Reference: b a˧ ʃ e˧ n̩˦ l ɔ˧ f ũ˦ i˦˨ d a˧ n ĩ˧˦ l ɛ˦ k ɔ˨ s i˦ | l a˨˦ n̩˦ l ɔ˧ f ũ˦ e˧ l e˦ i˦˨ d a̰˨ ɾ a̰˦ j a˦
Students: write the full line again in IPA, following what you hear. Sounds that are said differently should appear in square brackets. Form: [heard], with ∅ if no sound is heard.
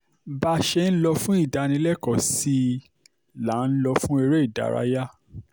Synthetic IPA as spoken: b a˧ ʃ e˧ n̩˦ l ɔ˧ f ũ˦ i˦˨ d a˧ n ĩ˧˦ l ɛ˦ k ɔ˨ s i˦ | l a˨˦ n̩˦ l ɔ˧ f ũ˦ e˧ [ɾ] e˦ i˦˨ d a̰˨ ɾ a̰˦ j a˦